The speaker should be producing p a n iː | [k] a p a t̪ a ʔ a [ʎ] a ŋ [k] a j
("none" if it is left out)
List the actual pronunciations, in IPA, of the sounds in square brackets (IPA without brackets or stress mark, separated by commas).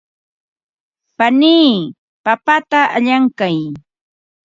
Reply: p, ʎ, k